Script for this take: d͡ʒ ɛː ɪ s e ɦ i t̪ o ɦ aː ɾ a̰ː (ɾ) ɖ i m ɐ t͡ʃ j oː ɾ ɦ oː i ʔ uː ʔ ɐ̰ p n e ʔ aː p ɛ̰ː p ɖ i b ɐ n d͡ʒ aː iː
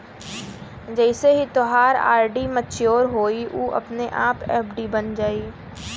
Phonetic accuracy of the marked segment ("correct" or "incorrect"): correct